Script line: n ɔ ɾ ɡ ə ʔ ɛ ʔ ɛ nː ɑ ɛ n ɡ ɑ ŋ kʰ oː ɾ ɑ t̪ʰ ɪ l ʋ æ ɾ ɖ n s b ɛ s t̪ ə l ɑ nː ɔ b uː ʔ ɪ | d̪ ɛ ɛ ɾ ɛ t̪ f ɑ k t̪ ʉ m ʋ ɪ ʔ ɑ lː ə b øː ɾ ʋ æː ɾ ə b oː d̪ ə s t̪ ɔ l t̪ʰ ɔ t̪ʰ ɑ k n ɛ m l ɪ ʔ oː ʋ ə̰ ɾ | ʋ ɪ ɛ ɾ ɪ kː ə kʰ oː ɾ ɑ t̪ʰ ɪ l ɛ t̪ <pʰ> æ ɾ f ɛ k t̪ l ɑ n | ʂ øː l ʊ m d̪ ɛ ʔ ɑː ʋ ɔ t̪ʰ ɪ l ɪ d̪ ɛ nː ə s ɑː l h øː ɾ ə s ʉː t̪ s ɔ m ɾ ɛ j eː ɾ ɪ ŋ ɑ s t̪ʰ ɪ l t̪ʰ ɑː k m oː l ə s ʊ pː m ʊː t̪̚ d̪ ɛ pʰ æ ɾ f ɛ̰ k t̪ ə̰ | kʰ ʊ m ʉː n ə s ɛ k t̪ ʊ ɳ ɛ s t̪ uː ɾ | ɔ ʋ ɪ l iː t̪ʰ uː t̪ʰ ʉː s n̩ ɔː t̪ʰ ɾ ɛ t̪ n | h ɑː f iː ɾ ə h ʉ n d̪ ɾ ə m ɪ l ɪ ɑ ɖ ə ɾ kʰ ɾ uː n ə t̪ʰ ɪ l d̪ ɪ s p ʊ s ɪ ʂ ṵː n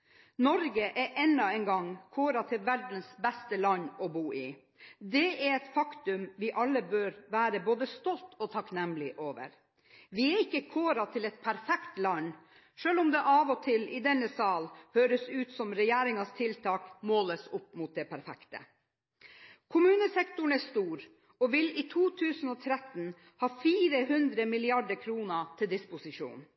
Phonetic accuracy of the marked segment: correct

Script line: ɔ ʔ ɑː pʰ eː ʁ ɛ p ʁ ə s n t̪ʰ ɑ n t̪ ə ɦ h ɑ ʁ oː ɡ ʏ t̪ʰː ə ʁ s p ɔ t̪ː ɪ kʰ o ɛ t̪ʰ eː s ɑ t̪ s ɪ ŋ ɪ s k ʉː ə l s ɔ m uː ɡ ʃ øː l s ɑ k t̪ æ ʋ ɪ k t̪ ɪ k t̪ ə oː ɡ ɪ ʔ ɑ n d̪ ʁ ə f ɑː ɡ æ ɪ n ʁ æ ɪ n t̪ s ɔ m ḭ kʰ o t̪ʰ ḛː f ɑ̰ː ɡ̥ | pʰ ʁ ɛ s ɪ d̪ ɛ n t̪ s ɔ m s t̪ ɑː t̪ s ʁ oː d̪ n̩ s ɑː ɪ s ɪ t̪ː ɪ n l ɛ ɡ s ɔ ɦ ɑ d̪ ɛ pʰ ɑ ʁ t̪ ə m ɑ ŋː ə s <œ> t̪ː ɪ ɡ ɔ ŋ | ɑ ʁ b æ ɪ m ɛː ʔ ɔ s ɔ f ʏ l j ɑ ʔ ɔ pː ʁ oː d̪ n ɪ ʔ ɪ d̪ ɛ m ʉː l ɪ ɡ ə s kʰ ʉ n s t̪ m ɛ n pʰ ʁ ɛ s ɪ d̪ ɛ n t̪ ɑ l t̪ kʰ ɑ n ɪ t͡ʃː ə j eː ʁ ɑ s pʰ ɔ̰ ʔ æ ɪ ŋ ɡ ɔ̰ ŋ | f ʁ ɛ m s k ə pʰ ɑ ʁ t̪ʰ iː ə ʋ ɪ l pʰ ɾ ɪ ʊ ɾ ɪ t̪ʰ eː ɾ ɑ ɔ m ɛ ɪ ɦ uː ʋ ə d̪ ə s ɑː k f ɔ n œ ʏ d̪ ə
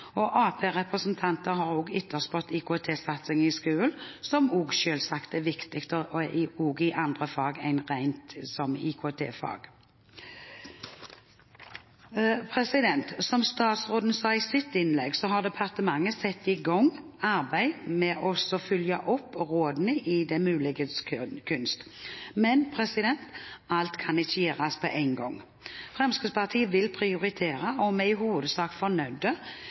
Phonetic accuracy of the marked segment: incorrect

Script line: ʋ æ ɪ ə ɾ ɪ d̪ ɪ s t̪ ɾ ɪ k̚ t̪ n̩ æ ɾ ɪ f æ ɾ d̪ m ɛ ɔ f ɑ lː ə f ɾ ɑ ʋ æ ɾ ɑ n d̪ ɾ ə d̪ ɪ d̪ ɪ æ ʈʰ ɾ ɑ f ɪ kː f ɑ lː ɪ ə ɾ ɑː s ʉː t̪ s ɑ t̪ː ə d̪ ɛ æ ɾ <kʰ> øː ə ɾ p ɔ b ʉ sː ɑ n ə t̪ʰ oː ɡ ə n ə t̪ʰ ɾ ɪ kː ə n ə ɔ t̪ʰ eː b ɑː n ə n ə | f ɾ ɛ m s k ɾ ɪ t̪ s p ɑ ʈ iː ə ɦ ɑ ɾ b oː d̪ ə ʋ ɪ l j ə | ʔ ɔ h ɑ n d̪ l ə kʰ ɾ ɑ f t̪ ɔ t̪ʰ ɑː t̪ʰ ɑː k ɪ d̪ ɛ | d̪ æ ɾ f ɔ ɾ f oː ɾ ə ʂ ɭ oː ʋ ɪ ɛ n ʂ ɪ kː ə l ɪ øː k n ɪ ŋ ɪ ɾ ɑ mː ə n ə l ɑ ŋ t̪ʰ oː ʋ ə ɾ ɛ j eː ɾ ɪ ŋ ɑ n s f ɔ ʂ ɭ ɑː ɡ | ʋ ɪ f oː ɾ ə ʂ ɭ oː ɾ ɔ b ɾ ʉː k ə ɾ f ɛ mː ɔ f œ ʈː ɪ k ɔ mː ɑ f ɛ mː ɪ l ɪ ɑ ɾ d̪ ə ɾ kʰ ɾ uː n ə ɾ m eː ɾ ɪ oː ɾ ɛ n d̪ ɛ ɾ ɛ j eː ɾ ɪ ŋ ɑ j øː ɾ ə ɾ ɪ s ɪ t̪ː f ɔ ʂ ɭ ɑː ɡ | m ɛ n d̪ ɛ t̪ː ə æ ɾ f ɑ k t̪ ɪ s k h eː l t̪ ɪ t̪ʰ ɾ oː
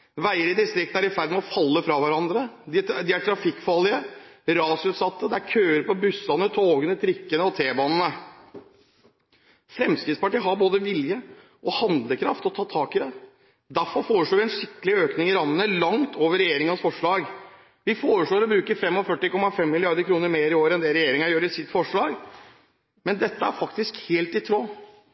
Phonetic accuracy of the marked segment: correct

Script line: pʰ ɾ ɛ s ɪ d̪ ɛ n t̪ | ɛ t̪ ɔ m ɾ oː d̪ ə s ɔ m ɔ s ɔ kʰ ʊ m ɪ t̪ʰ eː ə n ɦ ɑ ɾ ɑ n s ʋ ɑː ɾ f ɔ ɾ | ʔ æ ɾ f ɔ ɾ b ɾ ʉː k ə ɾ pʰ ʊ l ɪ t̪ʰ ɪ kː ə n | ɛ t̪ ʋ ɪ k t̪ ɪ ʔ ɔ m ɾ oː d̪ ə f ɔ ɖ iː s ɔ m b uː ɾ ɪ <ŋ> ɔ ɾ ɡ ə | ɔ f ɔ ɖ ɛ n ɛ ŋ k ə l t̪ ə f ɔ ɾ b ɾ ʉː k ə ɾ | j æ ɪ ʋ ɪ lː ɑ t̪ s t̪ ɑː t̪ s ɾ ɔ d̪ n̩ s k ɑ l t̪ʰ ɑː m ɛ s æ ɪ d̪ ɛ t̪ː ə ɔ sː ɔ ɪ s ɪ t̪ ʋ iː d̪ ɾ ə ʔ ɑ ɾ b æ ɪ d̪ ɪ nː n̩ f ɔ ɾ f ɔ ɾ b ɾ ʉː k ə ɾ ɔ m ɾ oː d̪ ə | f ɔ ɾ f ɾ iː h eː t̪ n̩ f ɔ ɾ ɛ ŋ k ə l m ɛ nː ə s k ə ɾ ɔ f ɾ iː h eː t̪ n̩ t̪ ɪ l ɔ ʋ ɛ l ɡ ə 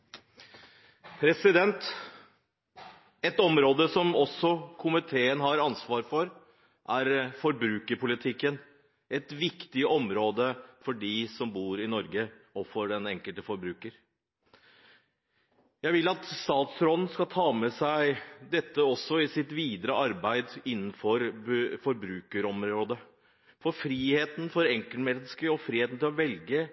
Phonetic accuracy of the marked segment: incorrect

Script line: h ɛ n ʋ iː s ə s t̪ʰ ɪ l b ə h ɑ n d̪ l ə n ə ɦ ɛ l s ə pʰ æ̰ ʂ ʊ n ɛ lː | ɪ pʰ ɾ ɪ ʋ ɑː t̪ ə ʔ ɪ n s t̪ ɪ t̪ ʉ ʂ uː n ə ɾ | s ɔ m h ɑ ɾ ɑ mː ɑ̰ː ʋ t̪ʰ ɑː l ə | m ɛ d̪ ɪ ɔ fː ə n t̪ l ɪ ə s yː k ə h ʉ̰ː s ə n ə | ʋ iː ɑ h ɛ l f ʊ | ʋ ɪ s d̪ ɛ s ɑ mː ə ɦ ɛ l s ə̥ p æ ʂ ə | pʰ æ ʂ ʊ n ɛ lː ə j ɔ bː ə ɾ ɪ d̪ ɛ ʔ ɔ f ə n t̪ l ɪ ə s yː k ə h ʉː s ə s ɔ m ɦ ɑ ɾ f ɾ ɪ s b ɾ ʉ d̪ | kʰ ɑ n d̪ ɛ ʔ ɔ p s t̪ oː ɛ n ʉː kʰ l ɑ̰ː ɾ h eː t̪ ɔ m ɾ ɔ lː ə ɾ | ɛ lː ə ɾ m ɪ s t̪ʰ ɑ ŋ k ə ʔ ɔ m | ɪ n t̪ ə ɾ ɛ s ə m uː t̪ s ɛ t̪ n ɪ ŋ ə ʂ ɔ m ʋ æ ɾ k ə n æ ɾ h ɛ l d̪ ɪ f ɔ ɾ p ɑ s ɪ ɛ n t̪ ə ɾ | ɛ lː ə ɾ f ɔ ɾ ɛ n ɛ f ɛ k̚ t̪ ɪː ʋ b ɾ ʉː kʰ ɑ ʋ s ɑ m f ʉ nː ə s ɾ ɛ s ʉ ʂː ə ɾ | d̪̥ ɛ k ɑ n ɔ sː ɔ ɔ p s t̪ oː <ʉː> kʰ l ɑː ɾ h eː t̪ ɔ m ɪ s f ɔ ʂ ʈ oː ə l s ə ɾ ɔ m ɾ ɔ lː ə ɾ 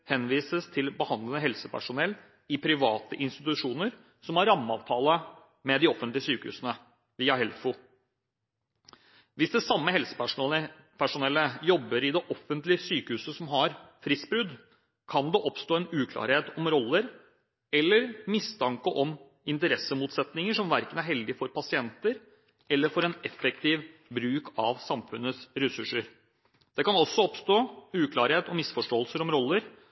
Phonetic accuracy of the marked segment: correct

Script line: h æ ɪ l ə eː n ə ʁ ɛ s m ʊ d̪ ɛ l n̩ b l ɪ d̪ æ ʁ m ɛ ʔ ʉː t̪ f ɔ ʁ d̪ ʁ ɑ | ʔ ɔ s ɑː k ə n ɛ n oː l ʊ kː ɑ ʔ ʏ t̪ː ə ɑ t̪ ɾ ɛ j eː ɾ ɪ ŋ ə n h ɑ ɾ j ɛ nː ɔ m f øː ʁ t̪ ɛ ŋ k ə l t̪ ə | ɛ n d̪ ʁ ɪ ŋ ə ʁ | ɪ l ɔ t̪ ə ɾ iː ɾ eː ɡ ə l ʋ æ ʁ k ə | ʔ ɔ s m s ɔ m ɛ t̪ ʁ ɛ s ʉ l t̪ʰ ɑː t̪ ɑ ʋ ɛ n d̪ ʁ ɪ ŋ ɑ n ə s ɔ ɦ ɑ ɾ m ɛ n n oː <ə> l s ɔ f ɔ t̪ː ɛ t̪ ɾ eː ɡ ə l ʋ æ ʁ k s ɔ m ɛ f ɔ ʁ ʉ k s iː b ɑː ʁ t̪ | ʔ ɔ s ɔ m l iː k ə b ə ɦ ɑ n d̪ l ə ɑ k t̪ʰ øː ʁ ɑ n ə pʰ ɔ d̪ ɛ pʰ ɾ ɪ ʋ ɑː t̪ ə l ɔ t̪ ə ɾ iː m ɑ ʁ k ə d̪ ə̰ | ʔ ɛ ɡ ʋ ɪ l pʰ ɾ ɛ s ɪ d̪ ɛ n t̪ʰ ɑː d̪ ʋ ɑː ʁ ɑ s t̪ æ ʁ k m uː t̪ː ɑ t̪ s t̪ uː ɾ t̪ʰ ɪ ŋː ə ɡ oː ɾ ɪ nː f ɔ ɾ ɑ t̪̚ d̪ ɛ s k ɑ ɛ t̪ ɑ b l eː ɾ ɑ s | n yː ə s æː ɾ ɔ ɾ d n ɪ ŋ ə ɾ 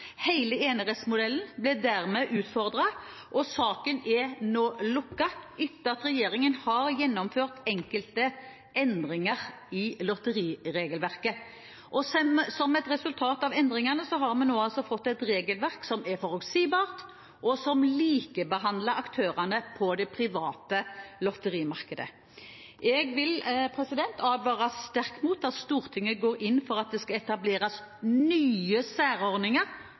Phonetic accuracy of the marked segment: incorrect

